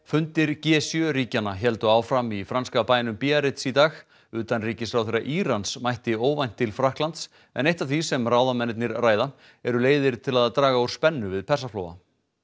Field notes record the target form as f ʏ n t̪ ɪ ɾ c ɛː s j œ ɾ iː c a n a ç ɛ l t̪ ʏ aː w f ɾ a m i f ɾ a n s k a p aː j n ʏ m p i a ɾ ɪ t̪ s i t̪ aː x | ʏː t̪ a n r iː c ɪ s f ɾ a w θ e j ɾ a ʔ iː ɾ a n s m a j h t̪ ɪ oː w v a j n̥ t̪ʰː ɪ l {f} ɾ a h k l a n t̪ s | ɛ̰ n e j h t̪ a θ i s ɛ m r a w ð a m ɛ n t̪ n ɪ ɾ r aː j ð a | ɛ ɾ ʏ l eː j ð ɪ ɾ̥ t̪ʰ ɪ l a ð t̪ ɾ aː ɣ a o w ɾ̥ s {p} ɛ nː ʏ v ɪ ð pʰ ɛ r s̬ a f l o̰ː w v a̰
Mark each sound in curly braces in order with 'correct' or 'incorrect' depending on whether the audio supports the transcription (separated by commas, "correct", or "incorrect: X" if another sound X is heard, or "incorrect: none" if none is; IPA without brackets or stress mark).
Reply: correct, correct